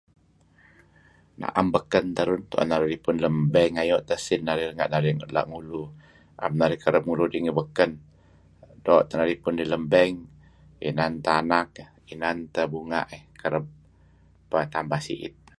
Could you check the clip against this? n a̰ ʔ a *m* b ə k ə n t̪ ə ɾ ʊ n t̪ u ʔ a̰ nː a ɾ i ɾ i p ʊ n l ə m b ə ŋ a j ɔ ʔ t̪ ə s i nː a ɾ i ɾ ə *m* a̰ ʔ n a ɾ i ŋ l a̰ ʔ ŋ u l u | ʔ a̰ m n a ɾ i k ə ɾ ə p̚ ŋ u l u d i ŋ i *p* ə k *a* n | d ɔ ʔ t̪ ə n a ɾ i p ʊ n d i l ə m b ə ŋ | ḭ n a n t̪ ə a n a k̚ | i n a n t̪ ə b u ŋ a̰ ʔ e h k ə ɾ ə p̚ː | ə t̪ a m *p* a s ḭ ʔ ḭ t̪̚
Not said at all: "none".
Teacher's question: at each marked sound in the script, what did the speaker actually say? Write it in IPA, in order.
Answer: m, ŋ, b, ə, b

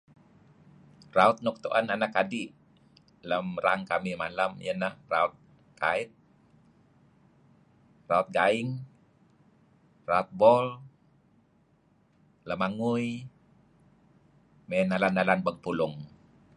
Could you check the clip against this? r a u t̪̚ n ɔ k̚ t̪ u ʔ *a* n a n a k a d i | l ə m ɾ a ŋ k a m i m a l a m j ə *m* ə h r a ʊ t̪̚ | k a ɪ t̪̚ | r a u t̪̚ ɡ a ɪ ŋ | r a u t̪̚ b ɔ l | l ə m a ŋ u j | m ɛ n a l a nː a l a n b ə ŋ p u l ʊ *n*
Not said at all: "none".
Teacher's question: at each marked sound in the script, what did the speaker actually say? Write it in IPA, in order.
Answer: a, n, ŋ

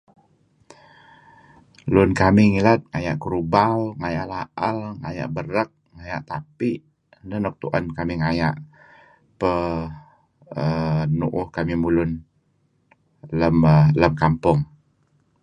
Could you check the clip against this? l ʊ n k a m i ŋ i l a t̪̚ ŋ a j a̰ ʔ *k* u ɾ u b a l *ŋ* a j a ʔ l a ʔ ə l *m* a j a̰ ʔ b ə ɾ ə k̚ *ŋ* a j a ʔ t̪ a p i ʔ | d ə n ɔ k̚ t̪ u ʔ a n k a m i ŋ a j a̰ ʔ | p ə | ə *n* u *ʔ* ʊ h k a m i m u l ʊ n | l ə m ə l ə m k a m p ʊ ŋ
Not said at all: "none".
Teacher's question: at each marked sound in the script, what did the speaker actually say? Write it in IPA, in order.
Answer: k, ŋ, ŋ, ŋ, n, ʔ

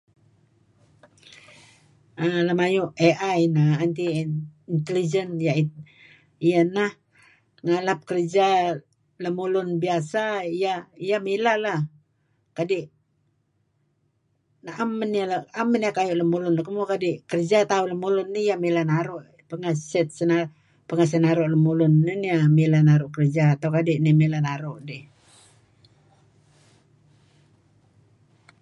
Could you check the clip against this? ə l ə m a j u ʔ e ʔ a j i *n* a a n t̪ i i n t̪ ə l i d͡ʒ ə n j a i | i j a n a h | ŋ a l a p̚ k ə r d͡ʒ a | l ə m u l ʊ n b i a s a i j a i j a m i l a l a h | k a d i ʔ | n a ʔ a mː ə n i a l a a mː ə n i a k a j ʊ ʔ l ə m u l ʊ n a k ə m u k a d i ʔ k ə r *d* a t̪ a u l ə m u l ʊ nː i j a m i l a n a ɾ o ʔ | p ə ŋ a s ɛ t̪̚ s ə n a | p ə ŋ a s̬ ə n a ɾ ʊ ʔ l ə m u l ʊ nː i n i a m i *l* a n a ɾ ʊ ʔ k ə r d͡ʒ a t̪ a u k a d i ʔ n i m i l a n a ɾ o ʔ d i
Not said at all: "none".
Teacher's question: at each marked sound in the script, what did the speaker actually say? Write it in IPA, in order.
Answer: n, d͡ʒ, l

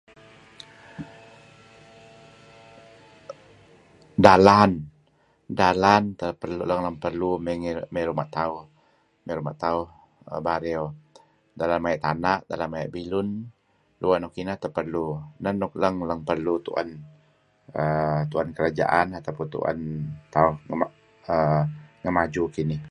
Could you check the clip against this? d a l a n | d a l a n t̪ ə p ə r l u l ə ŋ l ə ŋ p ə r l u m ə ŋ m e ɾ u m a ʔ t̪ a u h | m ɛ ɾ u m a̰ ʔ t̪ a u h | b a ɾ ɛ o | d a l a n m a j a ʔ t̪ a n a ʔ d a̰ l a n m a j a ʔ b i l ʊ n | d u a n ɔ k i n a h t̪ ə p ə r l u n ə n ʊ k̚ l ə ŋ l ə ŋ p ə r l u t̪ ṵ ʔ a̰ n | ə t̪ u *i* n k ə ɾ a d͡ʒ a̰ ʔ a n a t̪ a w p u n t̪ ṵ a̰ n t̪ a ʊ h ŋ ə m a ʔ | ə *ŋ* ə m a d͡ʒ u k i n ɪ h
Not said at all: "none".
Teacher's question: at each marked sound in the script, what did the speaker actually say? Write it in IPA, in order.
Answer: a, ŋ

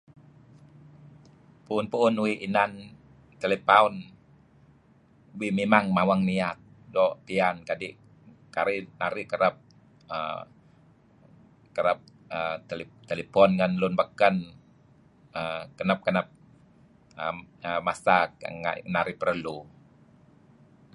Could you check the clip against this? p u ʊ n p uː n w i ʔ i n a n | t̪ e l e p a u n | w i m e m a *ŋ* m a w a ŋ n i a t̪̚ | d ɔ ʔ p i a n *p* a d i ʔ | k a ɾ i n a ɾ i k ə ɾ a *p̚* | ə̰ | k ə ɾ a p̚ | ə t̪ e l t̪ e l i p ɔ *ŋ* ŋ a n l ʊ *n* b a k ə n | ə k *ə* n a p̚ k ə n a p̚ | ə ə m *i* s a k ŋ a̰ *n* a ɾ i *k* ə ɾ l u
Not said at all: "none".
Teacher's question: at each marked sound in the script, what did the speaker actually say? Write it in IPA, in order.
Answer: ŋ, k, p̚, n, n, ə, a, n, p

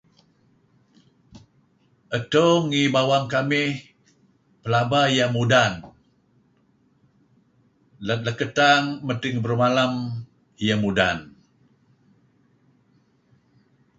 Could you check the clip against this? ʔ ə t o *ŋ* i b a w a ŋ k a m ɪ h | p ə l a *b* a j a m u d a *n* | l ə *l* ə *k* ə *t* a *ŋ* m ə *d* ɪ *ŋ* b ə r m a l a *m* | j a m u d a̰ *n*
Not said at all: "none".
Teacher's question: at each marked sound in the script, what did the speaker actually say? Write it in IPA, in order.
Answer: ŋ, b, n, l, k, t, ŋ, t, ŋ, m, n

